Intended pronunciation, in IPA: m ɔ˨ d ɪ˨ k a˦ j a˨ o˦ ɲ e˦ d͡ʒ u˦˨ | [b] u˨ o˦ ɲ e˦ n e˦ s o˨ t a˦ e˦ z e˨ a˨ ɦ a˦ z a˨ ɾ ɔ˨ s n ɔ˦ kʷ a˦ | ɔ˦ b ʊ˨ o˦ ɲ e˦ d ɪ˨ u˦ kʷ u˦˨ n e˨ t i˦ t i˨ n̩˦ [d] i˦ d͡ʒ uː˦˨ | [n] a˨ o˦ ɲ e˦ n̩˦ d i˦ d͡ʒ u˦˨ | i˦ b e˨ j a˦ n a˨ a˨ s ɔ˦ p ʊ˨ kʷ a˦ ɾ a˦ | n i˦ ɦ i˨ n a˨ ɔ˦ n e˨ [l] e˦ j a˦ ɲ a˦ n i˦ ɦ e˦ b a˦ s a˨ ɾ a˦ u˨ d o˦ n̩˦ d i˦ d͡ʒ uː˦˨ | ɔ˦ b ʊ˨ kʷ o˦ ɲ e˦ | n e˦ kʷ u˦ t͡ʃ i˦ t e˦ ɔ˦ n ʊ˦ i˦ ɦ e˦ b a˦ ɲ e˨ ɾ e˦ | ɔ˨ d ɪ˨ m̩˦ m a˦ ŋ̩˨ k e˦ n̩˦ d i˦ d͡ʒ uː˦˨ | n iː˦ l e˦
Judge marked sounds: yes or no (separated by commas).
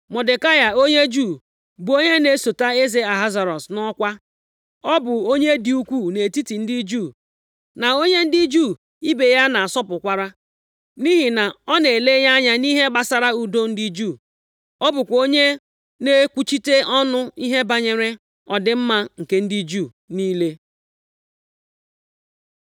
yes, yes, yes, yes